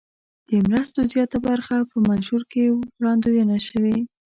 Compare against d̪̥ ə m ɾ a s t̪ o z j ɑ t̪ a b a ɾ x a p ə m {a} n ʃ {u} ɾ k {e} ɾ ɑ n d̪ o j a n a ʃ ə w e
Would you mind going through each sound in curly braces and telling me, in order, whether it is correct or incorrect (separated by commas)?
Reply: correct, correct, correct